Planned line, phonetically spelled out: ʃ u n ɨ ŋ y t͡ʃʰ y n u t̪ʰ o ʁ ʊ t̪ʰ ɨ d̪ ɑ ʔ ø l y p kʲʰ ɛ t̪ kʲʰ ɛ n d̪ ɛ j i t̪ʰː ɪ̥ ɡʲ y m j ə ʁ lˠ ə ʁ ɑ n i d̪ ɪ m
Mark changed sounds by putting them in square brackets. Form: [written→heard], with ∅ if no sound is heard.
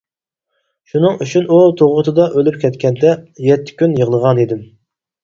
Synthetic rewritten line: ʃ u n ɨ ŋ y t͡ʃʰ y n u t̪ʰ o ʁ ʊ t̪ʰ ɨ d̪ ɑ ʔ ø l y p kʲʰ ɛ t̪ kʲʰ ɛ n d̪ ɛ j [i→ɛ] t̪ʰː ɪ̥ [ɡʲ→kʲ] y [m→n] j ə ʁ lˠ ə ʁ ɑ n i d̪ ɪ m